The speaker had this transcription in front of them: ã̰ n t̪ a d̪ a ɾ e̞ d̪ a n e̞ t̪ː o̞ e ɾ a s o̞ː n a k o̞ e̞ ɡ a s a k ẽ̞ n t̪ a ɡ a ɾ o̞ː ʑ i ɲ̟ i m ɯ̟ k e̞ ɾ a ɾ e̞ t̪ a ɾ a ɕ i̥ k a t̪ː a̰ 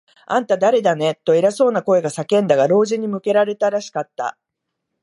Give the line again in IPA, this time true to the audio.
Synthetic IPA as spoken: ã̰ n t̪ a d̪ a ɾ e̞ d̪ a n e̞ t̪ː o̞ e ɾ a s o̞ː n a k o̞ e̞ ɡ a s a k ẽ̞ n d̪ a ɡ a ɾ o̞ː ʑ i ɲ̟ i m ɯ̟ k e̞ ɾ a ɾ e̞ t̪ a ɾ a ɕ i̥ k a t̪ː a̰